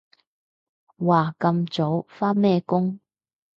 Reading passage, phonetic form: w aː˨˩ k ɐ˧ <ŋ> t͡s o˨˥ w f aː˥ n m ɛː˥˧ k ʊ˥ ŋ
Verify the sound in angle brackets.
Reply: incorrect: m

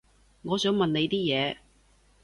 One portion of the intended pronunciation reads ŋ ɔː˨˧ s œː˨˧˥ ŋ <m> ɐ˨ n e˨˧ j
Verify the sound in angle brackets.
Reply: correct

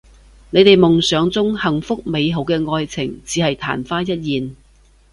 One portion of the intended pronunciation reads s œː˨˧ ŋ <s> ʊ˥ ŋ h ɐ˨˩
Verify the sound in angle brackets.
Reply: incorrect: t͡s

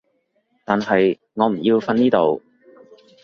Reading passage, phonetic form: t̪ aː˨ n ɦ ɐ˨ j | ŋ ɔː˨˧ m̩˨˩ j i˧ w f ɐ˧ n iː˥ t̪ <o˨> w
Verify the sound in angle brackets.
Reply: correct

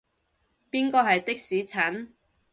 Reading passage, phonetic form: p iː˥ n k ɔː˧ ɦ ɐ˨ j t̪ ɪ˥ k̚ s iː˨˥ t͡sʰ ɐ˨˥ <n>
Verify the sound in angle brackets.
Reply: correct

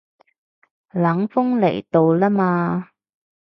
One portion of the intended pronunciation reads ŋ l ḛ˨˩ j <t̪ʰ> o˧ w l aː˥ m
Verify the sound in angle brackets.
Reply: incorrect: t̪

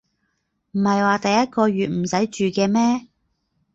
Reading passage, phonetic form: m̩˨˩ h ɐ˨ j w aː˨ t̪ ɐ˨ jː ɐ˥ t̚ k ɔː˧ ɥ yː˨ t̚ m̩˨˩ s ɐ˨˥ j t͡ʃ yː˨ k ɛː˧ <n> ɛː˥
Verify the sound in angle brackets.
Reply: incorrect: m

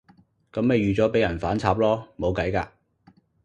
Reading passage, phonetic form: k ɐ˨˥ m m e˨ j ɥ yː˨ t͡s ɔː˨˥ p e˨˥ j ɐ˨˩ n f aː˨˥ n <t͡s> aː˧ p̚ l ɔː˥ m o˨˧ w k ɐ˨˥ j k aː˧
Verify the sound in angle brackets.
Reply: incorrect: t͡sʰ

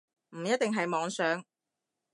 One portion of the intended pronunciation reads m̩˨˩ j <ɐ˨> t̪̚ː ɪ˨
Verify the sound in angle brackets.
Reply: incorrect: ɐ˥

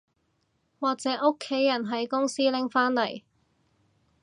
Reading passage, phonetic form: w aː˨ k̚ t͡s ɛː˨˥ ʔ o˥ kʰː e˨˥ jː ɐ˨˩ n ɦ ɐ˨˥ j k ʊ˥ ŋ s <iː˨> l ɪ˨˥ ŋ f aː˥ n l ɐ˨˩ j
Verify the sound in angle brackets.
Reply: incorrect: iː˥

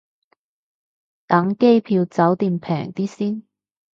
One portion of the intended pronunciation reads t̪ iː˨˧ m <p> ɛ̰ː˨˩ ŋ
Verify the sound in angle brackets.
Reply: incorrect: pʰ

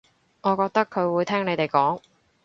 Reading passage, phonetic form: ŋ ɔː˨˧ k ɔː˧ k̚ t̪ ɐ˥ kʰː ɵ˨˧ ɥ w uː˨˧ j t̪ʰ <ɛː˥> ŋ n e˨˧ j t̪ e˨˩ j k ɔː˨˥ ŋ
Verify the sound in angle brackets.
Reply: correct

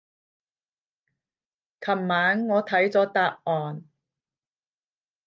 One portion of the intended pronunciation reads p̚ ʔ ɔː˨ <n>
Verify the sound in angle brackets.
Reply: correct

